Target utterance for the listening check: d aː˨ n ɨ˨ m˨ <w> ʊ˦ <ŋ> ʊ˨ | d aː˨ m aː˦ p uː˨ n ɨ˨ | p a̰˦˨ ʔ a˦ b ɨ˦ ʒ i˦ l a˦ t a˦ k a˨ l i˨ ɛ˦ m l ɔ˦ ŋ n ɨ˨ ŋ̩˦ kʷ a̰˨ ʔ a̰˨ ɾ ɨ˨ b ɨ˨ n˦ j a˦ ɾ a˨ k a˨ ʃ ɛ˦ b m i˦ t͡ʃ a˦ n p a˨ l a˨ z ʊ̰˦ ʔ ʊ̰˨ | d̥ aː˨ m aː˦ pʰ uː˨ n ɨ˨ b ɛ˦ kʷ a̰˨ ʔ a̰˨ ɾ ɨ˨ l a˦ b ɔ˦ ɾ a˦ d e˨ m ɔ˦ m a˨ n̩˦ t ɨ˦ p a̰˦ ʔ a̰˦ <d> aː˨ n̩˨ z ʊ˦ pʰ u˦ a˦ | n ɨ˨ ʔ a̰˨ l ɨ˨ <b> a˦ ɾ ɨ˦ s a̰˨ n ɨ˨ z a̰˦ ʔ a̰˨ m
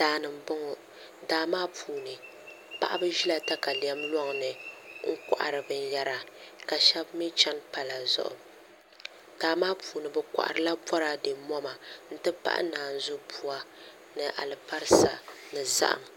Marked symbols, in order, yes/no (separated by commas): no, yes, no, no